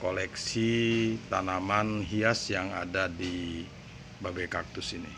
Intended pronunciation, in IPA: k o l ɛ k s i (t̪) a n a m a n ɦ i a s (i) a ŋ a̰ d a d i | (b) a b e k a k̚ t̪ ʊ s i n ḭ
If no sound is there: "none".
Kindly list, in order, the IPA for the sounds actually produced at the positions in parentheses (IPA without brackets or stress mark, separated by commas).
t̪, j, b